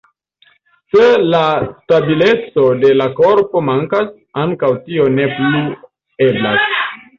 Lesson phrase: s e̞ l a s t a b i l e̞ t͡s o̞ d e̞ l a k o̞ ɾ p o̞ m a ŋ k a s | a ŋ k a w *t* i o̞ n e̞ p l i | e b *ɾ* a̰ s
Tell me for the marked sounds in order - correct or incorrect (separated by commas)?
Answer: correct, incorrect